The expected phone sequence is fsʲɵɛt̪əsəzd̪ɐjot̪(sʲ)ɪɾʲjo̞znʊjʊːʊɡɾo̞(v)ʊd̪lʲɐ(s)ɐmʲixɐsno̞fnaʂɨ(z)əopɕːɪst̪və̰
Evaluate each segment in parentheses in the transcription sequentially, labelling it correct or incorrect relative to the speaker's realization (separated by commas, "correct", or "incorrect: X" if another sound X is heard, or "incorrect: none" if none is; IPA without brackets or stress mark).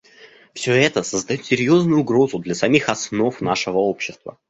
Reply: correct, incorrect: z, correct, incorrect: v